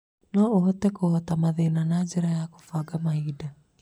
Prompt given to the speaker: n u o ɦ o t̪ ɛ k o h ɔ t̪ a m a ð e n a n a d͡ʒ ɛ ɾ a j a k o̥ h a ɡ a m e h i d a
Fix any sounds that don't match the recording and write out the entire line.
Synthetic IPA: n ɔ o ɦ ɔ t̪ ɛ k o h ɔ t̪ a m a ð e n a n a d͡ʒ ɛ ɾ a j a k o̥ f a ɡ a m a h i d a

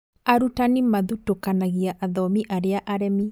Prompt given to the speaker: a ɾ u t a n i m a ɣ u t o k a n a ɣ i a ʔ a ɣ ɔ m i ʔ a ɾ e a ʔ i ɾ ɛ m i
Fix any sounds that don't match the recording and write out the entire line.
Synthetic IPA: a ɾ u t a n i m a ð u t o k a n a ɣ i a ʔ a ð ɔ m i ʔ a ɾ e a ʔ a ɾ ɛ m i

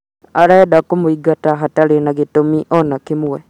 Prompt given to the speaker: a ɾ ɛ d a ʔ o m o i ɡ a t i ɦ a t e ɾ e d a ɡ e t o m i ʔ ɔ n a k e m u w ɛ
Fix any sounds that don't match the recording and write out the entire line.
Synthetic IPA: a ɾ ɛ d a k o m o i ɡ a t a ɦ a t a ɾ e n a ɡ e t o m i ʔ ɔ n a k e m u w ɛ

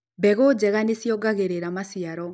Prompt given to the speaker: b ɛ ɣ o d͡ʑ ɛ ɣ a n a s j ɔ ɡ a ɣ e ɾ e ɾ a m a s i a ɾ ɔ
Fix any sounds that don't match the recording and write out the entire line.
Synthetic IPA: b ɛ ɣ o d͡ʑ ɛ ɣ a n e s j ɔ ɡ a ɣ e ɾ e ɾ a m a s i a ɾ ɔ

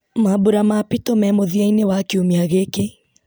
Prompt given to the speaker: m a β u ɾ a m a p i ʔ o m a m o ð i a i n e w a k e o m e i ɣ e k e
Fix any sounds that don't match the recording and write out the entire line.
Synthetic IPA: m a b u ɾ a m a p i t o m ɛ m o ð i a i n e w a k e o m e a ɣ e k e

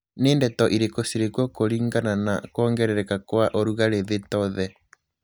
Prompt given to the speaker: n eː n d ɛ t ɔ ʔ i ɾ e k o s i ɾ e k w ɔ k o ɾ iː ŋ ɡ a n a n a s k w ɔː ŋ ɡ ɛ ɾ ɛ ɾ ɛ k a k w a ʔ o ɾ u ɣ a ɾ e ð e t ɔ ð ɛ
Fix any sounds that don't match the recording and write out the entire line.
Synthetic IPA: n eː n d ɛ t ɔ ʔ i ɾ e k o s i ɾ e k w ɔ k o ɾ iː ŋ ɡ a n a n a k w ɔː ŋ ɡ ɛ ɾ ɛ ɾ ɛ k a k w a ʔ o ɾ u ɣ a ɾ e ð e t ɔ ð ɛ

